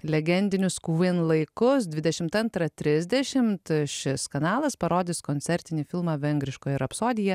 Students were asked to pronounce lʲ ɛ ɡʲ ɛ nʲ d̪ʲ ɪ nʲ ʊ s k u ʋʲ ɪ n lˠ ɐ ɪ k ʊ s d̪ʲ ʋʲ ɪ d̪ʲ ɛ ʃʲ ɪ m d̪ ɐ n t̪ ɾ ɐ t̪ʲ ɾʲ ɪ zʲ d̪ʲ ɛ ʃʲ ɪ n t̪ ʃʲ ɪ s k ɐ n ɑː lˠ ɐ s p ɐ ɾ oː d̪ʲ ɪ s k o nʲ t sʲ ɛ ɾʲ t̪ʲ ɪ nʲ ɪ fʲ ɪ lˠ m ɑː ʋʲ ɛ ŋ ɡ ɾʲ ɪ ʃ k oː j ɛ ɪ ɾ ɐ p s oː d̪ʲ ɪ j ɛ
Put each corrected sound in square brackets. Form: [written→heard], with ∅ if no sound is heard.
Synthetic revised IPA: lʲ ɛ ɡʲ ɛ nʲ d̪ʲ ɪ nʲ ʊ s k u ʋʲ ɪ n lˠ ɐ ɪ k ʊ s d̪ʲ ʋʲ ɪ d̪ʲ ɛ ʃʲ ɪ m [d̪→t̪] ɐ n t̪ ɾ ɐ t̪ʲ ɾʲ ɪ zʲ d̪ʲ ɛ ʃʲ ɪ [n→m] t̪ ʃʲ ɪ s k ɐ n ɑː lˠ ɐ s p ɐ ɾ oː d̪ʲ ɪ s k o nʲ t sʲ ɛ ɾʲ t̪ʲ ɪ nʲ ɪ fʲ ɪ lˠ m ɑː ʋʲ ɛ ŋ ɡ ɾʲ ɪ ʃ k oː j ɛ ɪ ɾ ɐ p s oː d̪ʲ ɪ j ɛ